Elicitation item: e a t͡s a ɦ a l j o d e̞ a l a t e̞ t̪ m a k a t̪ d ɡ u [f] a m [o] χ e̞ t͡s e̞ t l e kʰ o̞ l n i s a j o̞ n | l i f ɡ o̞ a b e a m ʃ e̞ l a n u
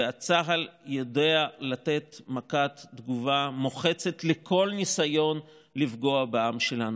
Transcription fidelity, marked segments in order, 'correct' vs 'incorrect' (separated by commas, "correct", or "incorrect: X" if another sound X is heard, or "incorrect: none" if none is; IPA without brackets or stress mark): incorrect: v, correct